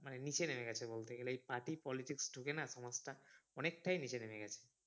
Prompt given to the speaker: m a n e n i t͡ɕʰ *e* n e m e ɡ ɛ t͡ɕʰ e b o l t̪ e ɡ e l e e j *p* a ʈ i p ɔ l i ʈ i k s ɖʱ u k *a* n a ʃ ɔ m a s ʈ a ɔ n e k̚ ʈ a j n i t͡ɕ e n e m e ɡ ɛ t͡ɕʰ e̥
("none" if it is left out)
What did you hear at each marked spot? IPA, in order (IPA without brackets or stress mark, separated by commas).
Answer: e, p, e